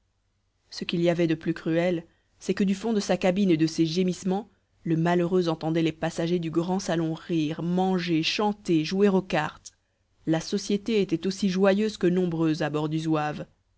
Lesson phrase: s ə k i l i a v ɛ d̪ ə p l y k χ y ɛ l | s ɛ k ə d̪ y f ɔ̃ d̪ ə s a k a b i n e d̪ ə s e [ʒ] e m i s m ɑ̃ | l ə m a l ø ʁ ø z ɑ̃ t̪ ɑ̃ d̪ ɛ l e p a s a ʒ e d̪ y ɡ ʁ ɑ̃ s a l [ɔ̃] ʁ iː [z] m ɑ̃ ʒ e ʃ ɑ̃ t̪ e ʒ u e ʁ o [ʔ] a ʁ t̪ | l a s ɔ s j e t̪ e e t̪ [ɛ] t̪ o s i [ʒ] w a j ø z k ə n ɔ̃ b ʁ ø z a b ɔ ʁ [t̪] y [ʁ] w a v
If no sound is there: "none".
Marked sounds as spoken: ʒ, ɔ̃, ʁ, k, ɛ, ʒ, d̪, z

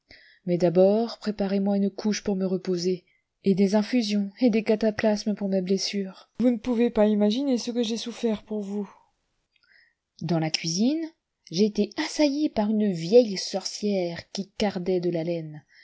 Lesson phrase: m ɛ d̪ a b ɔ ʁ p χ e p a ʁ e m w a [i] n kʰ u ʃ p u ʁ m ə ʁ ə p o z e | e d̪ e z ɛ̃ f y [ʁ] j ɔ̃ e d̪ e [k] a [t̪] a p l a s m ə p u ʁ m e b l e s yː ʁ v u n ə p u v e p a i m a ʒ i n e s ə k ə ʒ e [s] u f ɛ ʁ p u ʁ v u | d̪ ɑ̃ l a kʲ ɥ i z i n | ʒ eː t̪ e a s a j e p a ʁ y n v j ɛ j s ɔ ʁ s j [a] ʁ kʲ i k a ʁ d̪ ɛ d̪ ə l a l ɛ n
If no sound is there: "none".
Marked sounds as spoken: y, z, k, t̪, s, ɛ

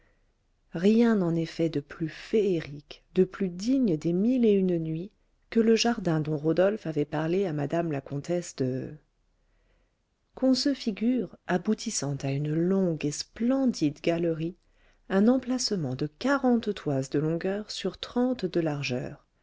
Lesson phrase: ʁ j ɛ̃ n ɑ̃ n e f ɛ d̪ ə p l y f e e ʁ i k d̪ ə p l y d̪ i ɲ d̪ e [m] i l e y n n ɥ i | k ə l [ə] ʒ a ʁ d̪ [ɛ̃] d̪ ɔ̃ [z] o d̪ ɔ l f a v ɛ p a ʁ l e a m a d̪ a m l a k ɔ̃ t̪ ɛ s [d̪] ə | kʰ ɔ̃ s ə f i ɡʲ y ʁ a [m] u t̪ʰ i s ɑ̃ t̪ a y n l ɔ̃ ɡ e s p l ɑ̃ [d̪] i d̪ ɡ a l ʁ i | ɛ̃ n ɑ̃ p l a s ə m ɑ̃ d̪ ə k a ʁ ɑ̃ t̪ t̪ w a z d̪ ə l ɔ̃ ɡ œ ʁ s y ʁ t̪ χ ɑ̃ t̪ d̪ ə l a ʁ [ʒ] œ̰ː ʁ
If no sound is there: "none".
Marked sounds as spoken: m, ə, ɛ̃, ʁ, d̪, b, d̪, ʒ

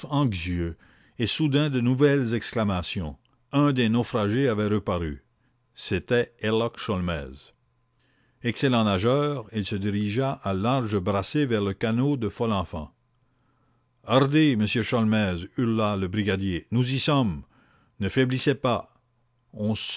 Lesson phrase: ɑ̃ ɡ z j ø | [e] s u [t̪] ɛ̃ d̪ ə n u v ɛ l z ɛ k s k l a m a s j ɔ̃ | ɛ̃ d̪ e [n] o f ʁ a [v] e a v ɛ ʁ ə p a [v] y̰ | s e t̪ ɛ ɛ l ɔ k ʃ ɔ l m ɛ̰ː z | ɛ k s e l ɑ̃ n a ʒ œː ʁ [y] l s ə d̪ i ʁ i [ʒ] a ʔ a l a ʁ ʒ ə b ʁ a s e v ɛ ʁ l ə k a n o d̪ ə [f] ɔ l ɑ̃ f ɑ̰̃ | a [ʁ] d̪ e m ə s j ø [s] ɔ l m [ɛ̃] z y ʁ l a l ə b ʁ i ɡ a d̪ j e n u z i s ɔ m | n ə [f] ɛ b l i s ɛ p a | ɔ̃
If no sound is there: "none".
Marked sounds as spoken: e, d̪, n, ʒ, ʁ, i, ʒ, f, ʁ, ʃ, ɛ, f

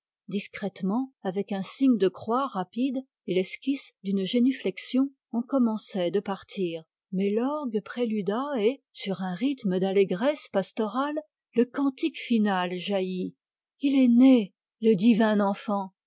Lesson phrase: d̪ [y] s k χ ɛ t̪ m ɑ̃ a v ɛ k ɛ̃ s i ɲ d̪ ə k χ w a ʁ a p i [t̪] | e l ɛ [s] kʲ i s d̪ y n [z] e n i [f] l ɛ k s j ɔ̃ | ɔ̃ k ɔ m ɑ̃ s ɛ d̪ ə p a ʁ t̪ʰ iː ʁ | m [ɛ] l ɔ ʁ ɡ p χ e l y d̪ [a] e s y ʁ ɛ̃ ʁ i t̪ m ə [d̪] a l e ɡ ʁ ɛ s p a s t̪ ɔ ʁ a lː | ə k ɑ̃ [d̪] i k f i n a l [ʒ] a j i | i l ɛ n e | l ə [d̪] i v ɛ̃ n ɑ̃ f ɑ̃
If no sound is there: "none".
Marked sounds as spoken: i, d̪, s, ʒ, f, ɛ, a, d̪, t̪, ʒ, d̪

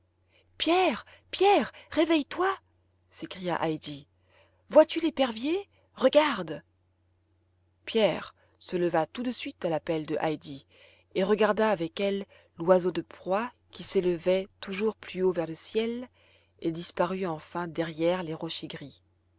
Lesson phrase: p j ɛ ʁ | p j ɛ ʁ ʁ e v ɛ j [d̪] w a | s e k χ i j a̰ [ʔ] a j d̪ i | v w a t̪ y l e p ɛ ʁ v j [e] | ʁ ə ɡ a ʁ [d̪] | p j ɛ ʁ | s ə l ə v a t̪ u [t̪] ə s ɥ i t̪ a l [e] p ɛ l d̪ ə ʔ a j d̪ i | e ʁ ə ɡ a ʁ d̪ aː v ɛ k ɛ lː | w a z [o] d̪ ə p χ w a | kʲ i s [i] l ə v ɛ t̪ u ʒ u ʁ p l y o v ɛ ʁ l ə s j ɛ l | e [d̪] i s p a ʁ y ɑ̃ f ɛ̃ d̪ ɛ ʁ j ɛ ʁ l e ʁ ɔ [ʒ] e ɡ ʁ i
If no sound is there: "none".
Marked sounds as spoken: t̪, ʔ, e, d̪, d̪, a, o, e, d̪, ʃ

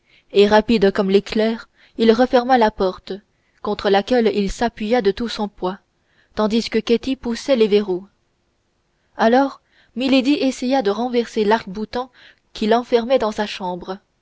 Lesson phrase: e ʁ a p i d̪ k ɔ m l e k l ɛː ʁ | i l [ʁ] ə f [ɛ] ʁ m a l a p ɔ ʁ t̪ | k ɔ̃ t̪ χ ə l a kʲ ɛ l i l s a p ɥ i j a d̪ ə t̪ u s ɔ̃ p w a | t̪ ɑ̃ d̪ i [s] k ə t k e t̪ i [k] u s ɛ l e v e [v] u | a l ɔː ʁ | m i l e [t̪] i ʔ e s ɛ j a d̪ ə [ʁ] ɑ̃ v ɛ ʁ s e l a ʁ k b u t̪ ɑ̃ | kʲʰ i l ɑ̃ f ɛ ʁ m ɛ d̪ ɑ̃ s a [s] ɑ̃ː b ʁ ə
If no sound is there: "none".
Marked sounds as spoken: ʁ, ɛ, s, p, ʁ, d̪, ʁ, ʃ

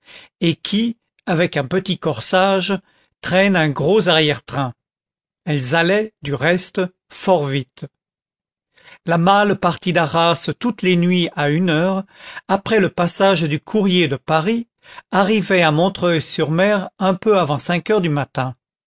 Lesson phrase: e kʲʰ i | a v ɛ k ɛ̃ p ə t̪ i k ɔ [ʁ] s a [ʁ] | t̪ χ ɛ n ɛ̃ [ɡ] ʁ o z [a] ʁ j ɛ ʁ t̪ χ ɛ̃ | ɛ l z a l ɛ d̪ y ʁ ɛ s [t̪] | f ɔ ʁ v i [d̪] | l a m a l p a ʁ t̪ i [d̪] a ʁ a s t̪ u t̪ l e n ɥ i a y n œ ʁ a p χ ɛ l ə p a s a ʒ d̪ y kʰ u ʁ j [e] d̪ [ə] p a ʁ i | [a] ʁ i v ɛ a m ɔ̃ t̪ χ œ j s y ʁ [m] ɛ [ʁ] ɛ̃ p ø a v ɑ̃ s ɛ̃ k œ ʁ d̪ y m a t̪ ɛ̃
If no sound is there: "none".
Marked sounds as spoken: ʁ, ʒ, ɡ, a, t̪, t̪, d̪, e, ə, a, m, ʁ

